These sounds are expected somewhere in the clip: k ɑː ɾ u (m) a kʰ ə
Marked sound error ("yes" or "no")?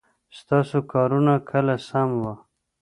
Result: yes